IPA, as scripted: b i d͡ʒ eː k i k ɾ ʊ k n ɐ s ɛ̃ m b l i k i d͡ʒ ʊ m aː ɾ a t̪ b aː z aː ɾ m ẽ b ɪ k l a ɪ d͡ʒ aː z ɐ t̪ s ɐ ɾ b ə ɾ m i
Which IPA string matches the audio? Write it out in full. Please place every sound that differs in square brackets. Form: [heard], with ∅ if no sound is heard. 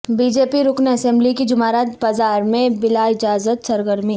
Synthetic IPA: b i d͡ʒ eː [p] i [∅] ɾ ʊ k n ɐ s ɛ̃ m b l i k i d͡ʒ ʊ m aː ɾ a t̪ b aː z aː ɾ m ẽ b ɪ [∅] l a ɪ d͡ʒ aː z [ə] t̪ s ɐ ɾ [ɡ] ə ɾ m i